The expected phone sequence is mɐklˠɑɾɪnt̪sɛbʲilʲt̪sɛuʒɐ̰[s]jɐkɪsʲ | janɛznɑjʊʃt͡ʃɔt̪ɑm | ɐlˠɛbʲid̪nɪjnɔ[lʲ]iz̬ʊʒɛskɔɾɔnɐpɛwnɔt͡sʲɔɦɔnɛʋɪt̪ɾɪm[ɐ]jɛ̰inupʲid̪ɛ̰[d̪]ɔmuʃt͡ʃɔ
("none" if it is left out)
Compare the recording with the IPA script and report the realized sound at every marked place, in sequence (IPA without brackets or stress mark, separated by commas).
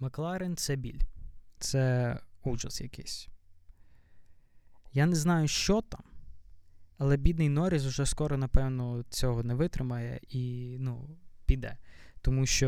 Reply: s, ɾʲ, ɐ, t̪